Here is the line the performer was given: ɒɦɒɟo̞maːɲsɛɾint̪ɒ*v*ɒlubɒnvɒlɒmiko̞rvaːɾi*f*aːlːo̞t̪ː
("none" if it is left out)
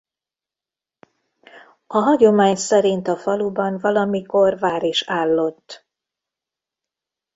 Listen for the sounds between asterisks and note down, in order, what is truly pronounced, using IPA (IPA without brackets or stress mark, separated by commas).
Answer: f, ʃ